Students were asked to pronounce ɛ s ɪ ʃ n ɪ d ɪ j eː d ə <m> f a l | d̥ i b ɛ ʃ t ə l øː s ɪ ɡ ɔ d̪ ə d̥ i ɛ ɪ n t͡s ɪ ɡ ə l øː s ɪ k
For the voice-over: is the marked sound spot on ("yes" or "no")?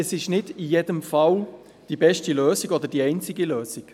yes